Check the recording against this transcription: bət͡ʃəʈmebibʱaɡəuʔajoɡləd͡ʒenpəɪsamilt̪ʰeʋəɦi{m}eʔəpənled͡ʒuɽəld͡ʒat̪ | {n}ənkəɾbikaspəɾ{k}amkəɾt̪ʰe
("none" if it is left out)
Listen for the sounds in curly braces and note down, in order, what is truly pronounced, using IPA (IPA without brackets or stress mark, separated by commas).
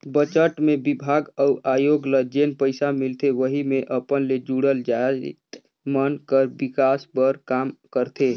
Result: m, m, k